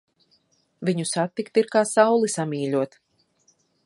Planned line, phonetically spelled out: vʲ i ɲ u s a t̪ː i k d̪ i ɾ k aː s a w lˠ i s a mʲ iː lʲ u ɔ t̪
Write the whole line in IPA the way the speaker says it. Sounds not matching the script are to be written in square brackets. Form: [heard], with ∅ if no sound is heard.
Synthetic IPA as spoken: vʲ i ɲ u s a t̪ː i k [t̪] i ɾ k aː s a w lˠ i s a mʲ iː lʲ u ɔ t̪